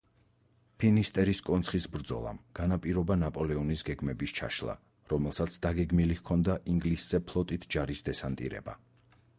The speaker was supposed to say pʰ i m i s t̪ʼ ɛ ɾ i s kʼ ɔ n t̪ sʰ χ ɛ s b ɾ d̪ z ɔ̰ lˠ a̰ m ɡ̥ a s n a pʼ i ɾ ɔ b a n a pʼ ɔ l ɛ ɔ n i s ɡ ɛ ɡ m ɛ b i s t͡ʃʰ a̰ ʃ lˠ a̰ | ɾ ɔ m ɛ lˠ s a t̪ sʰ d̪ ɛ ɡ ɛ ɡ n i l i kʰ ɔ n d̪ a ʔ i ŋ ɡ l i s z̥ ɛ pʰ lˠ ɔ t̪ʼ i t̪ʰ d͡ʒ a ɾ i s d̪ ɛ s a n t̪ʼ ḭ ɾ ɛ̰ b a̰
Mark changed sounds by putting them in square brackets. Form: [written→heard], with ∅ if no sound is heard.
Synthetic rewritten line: pʰ i [m→n] i s t̪ʼ ɛ ɾ i s kʼ ɔ n t̪ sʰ χ [ɛ→i] s b ɾ d̪ z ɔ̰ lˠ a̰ m ɡ̥ a [s→∅] n a pʼ i ɾ ɔ b a n a pʼ ɔ l ɛ ɔ n i s ɡ ɛ ɡ m ɛ b i s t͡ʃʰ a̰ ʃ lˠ a̰ | ɾ ɔ m ɛ lˠ s a t̪ sʰ d̪ [ɛ→a] ɡ ɛ ɡ [n→m] i l i kʰ ɔ n d̪ a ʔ i ŋ ɡ l i s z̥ ɛ pʰ lˠ ɔ t̪ʼ i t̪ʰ d͡ʒ a ɾ i s d̪ ɛ s a n t̪ʼ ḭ ɾ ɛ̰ b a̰